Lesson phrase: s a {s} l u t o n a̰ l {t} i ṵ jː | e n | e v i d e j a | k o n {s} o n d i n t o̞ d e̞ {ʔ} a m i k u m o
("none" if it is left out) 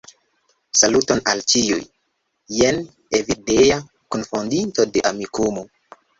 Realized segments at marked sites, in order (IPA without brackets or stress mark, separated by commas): none, t͡ʃ, f, ʔ